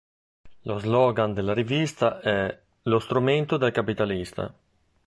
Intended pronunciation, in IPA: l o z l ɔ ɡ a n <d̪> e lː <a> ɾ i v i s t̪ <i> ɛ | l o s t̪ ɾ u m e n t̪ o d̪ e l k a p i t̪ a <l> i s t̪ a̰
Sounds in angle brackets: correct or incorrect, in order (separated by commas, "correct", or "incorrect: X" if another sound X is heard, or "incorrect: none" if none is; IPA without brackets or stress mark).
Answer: correct, correct, incorrect: a, correct